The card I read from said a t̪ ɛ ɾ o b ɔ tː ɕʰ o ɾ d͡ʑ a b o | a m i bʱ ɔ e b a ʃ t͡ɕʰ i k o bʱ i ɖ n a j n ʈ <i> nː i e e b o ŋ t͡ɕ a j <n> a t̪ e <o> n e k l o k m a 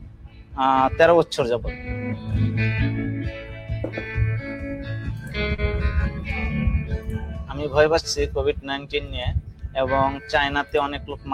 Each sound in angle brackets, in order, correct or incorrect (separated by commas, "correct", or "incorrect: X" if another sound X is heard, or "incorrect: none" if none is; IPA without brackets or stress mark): correct, correct, incorrect: ɔ